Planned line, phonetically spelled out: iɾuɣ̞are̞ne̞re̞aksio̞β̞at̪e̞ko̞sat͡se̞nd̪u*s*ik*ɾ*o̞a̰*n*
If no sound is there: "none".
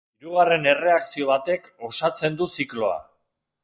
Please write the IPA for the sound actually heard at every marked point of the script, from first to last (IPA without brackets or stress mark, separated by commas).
s, l, none